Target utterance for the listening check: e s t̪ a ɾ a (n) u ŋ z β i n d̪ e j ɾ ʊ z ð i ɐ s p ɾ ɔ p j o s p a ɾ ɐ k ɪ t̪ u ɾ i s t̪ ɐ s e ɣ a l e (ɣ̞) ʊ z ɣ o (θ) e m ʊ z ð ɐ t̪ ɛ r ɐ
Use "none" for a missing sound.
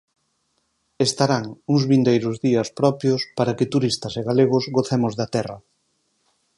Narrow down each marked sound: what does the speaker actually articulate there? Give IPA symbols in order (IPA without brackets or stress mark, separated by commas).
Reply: ŋ, ɣ̞, θ